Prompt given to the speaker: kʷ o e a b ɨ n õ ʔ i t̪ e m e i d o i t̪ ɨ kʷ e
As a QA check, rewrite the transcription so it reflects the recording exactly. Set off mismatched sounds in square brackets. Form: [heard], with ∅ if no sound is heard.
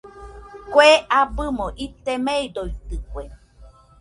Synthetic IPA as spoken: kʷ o e a b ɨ [m] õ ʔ i t̪ e m e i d o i t̪ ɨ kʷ e